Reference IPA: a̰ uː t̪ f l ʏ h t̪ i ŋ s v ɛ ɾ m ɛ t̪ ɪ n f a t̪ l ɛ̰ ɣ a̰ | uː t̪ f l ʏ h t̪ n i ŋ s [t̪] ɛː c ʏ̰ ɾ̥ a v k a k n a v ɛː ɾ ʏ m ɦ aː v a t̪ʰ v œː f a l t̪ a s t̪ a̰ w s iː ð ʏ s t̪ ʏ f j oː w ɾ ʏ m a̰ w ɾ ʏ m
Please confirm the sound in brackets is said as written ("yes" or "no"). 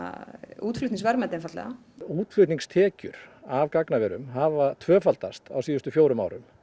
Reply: no